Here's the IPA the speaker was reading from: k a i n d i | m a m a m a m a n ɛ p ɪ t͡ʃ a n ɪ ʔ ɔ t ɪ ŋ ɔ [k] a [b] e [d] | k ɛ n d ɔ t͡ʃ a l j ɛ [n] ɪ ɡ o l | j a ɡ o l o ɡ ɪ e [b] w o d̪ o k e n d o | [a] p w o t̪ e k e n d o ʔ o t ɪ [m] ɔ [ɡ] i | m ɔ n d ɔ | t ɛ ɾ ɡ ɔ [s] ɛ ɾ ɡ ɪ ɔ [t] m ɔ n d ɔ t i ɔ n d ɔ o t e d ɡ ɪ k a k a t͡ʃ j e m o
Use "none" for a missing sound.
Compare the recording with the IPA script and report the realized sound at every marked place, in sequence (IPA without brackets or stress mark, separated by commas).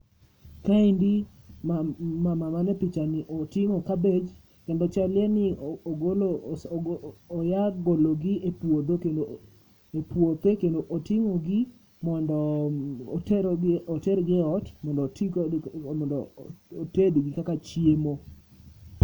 k, b, d͡ʒ, n, p, e, ŋ, ɡ, t, t